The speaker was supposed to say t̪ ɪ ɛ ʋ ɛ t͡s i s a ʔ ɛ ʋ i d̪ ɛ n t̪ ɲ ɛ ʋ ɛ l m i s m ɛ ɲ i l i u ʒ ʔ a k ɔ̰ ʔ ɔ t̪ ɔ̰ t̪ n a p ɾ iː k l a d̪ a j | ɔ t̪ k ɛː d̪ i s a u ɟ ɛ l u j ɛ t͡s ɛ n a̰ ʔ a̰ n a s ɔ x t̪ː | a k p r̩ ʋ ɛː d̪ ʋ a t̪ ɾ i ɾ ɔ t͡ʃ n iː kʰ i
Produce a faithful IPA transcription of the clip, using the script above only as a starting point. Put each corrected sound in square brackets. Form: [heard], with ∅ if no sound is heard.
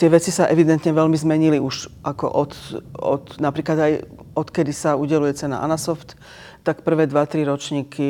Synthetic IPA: t̪ ɪ ɛ ʋ ɛ t͡s i s a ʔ ɛ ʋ i d̪ ɛ n t̪ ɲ ɛ ʋ ɛ l m i [z] m ɛ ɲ i l i u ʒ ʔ a k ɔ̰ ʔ ɔ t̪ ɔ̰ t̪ n a p ɾ iː k l a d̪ a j | ɔ t̪ k [ɛ] d̪ i s a u ɟ ɛ l u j ɛ t͡s ɛ n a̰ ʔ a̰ n a s ɔ [f] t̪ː | a k p r̩ ʋ ɛː d̪ ʋ a t̪ ɾ i ɾ ɔ t͡ʃ [ɲ] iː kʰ i